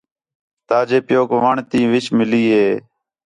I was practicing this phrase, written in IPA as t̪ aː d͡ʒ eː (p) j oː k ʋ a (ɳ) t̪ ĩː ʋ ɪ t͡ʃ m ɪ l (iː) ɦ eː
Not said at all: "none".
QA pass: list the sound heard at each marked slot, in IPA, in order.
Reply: p, ɳ, iː

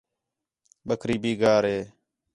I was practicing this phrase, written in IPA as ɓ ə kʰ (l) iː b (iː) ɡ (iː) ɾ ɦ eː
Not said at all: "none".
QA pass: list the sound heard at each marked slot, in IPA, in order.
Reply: ɾ, iː, aː

